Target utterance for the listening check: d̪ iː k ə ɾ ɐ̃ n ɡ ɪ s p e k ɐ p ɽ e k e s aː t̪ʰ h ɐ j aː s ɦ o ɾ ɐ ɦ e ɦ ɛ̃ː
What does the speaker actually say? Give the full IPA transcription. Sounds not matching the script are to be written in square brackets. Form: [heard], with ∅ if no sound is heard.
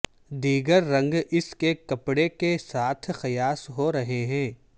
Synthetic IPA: d̪ iː [ɡ] ə [ɾː] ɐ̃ [ŋ] ɡ ɪ s [k] e k ɐ p ɽ e k e s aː t̪ʰ [x] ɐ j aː s ɦ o ɾ ɐ ɦ e ɦ ɛ̃ː